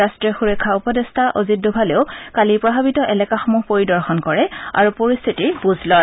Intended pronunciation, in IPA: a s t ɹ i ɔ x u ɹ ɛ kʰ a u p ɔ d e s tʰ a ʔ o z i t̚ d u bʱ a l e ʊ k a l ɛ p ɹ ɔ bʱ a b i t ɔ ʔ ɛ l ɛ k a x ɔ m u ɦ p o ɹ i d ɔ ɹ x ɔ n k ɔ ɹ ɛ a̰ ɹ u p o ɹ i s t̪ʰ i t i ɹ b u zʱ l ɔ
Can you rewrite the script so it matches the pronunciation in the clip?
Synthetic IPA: a s t ɹ i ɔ x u ɹ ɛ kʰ a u p ɔ d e s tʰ a ʔ o z i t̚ d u bʱ a l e ʊ k a l i p ɹ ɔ bʱ a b i t ɔ ʔ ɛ l ɛ k a x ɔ m u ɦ p o ɹ i d ɔ ɹ x ɔ n k ɔ ɹ ɛ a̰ ɹ u p o ɹ i s t̪ʰ i t i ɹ b u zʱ l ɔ